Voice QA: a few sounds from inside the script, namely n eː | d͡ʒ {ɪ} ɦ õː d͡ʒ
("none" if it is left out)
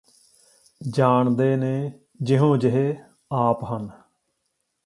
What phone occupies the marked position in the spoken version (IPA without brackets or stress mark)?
ɪ